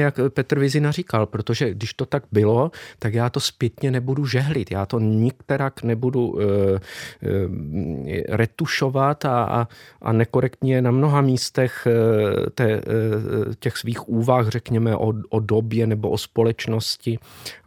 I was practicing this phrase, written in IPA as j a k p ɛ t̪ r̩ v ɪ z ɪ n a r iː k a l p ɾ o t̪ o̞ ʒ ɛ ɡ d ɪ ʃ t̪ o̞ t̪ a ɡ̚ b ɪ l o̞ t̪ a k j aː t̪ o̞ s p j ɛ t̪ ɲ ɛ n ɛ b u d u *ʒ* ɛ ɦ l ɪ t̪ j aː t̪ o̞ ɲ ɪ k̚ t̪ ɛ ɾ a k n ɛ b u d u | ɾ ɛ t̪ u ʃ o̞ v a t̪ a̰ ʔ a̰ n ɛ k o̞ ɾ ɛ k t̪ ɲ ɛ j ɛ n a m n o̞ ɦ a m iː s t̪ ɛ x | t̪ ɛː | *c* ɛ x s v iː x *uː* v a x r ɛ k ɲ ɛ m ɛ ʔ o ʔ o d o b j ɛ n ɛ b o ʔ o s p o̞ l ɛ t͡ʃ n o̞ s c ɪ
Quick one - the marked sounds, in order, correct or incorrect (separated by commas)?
correct, correct, correct